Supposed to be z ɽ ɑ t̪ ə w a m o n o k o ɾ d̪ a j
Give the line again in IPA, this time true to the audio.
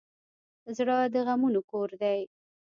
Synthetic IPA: z ɽ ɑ d̪ ə ɣ a m u n o k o ɾ d̪ a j